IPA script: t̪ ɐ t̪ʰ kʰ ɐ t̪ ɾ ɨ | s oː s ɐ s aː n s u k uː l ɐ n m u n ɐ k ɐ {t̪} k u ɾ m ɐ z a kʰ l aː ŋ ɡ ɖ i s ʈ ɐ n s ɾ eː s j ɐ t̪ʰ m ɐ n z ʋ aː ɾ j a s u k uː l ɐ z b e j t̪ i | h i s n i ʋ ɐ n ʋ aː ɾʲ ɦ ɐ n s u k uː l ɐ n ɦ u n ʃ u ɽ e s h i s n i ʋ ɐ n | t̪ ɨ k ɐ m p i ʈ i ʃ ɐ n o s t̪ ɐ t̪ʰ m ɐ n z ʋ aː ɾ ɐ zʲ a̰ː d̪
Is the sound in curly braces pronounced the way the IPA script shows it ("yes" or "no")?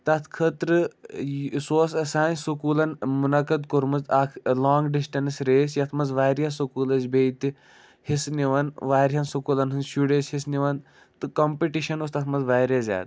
no